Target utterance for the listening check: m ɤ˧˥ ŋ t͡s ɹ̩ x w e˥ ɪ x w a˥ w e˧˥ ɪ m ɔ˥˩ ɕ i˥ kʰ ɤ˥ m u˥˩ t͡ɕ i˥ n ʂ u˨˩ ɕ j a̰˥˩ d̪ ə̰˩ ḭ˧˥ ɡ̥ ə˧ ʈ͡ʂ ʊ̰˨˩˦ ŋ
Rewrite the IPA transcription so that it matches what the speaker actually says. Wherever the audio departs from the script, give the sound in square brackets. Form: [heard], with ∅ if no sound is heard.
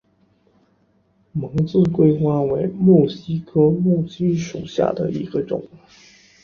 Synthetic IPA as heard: m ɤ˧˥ ŋ t͡s ɹ̩ [k] w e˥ ɪ x w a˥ w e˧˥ ɪ m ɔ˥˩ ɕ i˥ kʰ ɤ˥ m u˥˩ t͡ɕ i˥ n ʂ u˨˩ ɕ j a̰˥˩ d̪ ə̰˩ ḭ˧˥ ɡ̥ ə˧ ʈ͡ʂ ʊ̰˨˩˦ ŋ